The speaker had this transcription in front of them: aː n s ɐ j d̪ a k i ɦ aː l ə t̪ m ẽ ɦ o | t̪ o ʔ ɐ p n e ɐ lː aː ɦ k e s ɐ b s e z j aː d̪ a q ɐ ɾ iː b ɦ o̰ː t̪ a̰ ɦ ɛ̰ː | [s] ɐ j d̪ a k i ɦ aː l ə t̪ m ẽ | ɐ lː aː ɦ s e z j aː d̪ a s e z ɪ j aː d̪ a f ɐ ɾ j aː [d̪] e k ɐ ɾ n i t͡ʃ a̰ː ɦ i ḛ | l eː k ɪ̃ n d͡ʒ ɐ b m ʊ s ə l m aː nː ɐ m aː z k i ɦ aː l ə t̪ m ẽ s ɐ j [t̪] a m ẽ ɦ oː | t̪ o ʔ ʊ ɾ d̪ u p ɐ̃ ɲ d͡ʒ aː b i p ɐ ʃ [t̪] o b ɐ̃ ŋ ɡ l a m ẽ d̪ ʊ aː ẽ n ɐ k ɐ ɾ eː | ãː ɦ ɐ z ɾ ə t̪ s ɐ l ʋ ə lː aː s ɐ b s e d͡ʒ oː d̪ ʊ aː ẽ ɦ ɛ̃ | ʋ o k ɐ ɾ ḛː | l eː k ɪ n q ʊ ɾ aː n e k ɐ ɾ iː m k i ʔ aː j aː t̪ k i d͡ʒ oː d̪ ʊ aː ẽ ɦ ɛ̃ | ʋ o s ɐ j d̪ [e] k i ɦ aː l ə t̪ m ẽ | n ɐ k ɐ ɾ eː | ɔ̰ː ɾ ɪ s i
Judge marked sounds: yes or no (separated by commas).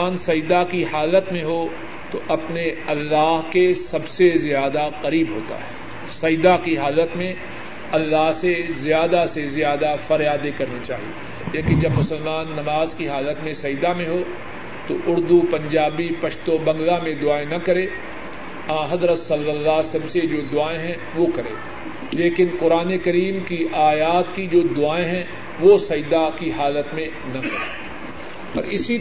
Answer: yes, yes, no, yes, no